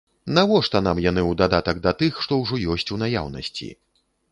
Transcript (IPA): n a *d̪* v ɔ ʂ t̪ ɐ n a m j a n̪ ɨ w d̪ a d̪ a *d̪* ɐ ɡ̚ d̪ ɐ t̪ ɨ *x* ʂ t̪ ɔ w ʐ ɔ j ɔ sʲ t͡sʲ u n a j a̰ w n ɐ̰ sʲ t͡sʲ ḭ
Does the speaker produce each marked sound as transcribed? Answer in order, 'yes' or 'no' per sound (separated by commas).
no, no, yes